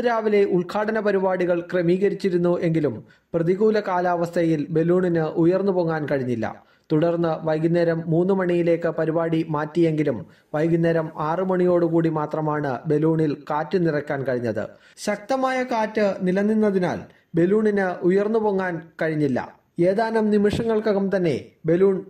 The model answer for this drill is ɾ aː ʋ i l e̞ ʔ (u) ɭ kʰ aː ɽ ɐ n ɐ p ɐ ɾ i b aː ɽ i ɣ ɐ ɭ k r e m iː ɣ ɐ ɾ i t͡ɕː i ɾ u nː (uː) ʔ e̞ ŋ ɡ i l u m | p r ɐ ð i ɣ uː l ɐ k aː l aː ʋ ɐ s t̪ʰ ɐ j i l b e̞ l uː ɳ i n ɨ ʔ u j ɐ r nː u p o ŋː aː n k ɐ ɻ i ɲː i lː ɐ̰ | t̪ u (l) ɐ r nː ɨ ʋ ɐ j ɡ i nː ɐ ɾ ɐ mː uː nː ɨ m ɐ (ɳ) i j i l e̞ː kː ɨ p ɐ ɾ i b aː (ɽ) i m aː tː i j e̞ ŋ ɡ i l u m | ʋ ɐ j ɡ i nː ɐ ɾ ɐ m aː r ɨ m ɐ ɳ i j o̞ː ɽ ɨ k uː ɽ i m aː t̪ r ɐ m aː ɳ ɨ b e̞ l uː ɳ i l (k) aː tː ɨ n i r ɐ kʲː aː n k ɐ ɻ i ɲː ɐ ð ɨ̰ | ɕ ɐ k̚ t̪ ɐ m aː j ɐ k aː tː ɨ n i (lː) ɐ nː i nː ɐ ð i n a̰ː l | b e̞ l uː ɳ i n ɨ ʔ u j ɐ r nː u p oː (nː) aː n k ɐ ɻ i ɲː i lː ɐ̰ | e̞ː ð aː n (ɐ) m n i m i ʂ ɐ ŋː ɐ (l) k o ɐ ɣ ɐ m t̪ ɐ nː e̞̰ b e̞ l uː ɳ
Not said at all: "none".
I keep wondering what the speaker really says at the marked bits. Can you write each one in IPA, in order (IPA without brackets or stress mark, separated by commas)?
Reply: u, u, ɽ, ɳ, ɽ, k, l, ŋː, ɐ, ɭ